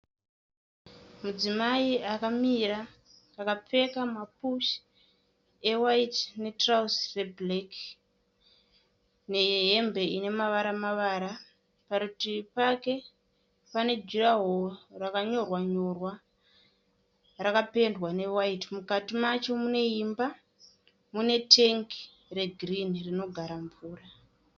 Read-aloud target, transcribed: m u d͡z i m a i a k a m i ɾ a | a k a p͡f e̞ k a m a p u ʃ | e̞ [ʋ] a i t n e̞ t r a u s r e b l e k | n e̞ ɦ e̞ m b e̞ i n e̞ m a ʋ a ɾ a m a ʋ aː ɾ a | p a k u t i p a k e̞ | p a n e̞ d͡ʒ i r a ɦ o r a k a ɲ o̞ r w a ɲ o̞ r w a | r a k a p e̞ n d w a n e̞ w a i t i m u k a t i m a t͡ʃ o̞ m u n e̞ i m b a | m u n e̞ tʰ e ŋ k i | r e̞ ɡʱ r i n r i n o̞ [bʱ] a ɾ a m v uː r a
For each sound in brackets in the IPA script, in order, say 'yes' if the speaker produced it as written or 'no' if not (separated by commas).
no, no